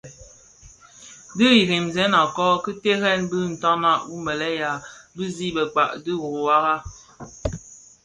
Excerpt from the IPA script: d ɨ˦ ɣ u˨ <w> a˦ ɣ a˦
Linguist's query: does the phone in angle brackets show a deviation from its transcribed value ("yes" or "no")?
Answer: no